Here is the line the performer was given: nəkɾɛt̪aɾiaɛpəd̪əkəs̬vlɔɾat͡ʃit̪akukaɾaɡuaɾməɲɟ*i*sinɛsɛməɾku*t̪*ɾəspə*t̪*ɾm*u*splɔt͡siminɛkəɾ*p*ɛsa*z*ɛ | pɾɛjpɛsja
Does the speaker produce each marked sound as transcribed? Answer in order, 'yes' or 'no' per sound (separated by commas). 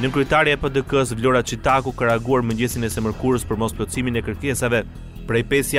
no, no, no, no, no, no